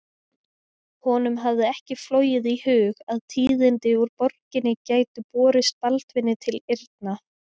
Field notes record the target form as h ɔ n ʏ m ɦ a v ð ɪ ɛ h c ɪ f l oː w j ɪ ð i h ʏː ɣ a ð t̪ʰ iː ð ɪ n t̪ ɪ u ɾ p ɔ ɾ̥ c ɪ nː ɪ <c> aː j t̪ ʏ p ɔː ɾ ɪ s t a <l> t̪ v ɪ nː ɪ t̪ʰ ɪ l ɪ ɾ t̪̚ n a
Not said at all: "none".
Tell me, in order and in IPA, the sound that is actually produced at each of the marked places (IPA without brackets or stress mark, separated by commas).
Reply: c, l